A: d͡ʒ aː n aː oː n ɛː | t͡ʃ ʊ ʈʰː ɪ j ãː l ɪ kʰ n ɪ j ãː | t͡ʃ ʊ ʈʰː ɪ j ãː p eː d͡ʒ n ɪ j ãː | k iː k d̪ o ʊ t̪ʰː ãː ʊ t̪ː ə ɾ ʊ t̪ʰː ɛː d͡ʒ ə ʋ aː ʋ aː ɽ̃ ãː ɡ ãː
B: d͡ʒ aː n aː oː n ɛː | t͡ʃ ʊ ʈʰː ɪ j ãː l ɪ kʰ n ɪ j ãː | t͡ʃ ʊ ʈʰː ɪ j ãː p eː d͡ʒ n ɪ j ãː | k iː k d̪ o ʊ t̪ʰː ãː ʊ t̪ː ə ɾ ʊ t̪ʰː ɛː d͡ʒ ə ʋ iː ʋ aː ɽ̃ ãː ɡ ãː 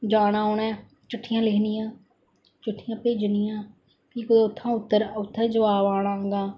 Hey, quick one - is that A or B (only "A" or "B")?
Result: A